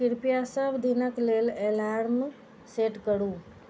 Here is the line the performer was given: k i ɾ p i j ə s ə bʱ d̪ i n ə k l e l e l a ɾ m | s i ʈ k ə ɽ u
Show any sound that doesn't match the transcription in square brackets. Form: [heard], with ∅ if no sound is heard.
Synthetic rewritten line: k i ɾ p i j [a] s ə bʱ d̪ i n ə k l e l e l a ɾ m | s [e] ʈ k ə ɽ u